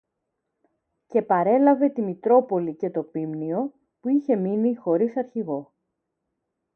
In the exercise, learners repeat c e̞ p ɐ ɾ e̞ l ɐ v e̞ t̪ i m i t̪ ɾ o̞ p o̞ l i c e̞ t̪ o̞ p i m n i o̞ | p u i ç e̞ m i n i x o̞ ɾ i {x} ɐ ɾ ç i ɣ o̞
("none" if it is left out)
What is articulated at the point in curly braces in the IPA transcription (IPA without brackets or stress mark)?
s